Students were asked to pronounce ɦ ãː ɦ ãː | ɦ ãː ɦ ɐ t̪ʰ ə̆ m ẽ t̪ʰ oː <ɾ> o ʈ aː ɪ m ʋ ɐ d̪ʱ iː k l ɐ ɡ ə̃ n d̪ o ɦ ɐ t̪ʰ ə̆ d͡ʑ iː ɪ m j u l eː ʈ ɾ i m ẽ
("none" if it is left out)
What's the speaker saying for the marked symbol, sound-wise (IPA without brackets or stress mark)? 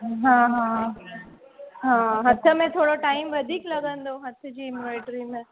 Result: ɽ